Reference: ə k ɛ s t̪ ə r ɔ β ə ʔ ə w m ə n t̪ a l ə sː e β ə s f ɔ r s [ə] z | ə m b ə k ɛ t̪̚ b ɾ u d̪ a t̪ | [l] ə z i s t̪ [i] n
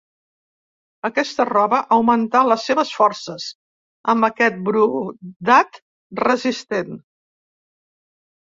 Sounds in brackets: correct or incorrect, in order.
correct, incorrect: r, incorrect: e

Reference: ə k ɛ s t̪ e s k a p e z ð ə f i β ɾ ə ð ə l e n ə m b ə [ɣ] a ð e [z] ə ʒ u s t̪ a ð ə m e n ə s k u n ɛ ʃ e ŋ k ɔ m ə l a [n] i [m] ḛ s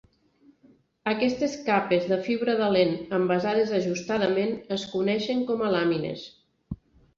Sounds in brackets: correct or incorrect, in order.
incorrect: z, correct, incorrect: m, incorrect: n

